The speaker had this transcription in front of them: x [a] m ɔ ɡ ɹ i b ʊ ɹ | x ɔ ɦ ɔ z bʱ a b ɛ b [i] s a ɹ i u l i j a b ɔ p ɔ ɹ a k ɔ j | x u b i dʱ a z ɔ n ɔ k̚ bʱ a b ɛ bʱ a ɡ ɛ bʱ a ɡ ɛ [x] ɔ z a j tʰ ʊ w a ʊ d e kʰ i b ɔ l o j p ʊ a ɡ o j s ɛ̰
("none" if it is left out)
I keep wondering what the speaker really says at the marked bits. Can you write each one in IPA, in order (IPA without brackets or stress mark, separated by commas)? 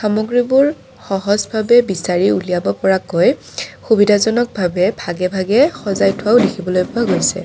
a, i, x